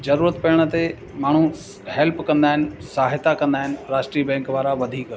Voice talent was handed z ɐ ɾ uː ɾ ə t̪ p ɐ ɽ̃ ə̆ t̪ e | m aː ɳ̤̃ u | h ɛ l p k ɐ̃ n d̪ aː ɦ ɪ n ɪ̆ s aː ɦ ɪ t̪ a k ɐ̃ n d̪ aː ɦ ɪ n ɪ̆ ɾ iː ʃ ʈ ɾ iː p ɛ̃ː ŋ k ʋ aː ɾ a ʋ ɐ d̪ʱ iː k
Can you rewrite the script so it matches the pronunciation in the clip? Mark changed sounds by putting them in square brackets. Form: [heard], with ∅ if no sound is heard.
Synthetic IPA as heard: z ɐ ɾ uː ɾ ə t̪ p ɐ ɽ̃ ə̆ t̪ e | m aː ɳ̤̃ u | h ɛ l p k ɐ̃ n d̪ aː ɦ ɪ n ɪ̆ s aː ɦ ɪ t̪ a k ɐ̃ n d̪ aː ɦ ɪ n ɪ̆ ɾ [aː] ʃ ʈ ɾ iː [b] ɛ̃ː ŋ k ʋ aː ɾ a ʋ ɐ d̪ʱ iː k